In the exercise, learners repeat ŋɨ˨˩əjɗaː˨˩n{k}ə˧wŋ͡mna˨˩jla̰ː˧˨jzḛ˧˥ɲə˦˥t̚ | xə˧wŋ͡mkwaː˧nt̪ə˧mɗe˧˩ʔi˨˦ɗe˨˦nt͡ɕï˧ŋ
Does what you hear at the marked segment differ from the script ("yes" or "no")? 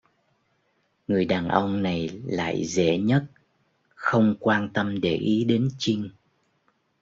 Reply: yes